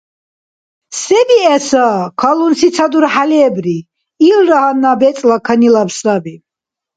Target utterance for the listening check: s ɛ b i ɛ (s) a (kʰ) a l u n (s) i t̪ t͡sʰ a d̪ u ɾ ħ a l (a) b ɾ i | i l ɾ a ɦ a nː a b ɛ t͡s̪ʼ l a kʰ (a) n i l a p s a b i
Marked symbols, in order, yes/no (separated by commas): yes, yes, yes, no, yes